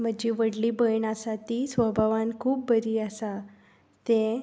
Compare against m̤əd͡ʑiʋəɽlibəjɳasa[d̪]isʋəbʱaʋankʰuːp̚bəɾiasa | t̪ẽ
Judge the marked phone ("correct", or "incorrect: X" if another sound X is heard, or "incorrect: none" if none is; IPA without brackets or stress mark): incorrect: t̪